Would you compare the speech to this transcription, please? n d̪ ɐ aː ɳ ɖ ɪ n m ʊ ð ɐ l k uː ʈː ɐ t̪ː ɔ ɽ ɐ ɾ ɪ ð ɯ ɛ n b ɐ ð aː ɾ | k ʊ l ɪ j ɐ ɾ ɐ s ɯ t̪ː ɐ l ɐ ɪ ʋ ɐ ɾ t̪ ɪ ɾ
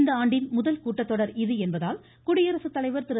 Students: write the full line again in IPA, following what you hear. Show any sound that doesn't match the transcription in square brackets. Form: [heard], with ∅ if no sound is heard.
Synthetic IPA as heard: n d̪ ɐ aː ɳ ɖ ɪ n m ʊ ð ɐ l k uː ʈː ɐ t̪ː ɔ ɽ ɐ ɾ ɪ ð ɯ ɛ n b ɐ ð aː [l] | k ʊ [ɽ] ɪ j ɐ ɾ ɐ s ɯ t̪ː ɐ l ɐ ɪ ʋ ɐ ɾ t̪ ɪ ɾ